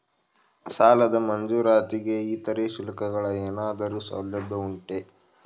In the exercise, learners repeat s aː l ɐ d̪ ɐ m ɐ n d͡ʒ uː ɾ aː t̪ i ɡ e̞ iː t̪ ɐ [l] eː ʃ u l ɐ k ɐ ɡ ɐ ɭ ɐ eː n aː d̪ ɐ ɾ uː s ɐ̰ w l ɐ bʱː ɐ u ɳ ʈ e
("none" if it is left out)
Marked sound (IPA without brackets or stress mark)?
ɾ